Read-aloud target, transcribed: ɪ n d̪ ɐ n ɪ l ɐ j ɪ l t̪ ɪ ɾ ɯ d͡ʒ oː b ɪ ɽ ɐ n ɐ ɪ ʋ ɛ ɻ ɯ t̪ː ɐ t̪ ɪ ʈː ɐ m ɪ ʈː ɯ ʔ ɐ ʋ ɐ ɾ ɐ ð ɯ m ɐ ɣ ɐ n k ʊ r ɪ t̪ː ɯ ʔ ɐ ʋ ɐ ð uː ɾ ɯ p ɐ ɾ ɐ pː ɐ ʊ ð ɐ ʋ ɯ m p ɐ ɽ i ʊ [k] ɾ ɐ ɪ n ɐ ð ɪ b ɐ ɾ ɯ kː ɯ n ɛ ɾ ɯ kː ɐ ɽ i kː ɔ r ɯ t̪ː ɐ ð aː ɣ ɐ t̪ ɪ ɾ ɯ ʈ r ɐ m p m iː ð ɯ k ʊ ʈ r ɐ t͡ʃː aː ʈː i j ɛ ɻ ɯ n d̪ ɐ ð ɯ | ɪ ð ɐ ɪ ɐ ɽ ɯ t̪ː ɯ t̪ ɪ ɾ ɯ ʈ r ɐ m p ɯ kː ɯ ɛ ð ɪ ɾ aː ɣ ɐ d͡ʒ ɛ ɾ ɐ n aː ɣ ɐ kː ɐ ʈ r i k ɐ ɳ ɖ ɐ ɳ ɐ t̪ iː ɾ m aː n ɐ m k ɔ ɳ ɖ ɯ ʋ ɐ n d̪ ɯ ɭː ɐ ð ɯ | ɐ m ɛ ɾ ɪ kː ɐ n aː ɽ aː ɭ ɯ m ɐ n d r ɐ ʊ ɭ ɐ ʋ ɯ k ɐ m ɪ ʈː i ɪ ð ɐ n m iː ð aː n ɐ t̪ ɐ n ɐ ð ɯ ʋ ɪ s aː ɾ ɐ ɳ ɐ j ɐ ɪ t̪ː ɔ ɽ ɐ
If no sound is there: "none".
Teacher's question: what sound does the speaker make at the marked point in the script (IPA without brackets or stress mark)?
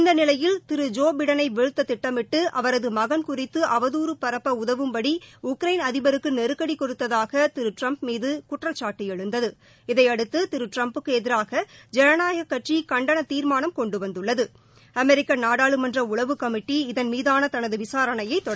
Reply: k